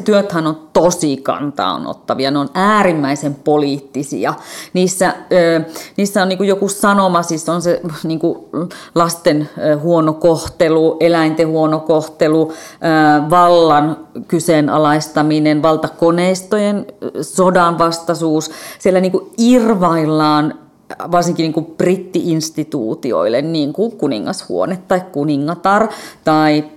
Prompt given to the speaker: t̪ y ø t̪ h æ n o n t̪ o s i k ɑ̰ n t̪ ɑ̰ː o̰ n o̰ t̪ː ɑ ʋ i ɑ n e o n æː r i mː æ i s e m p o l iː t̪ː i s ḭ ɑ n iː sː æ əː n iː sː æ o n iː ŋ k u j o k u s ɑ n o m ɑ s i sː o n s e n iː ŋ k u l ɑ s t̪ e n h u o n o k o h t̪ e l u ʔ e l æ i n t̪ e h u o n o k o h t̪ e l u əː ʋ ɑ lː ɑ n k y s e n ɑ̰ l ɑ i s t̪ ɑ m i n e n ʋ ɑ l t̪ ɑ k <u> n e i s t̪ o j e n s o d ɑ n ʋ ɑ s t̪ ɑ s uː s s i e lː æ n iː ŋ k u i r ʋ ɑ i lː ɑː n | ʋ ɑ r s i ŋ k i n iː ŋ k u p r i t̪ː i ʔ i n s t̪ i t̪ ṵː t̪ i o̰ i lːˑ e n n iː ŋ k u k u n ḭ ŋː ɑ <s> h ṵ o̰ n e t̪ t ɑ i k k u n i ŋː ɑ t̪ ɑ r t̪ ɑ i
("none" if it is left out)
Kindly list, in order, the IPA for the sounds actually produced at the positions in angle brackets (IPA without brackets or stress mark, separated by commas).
o, s